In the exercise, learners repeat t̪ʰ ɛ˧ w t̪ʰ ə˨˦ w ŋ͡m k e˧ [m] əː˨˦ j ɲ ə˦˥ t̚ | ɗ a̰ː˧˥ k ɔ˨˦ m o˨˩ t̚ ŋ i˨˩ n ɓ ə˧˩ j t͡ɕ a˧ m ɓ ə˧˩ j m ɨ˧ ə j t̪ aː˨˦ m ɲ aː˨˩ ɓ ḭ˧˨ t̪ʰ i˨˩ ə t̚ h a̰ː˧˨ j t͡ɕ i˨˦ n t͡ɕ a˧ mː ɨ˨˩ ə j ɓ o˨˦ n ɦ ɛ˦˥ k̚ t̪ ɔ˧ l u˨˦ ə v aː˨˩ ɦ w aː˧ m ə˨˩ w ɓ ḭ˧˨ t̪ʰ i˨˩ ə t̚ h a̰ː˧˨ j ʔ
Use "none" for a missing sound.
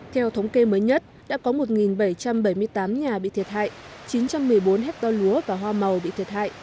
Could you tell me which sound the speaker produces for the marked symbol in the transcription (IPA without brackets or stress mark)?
m